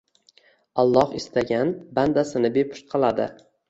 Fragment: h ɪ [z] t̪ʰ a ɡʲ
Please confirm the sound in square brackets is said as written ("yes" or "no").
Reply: no